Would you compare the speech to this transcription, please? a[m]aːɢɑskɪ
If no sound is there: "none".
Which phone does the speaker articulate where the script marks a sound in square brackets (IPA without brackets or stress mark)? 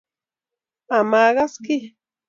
m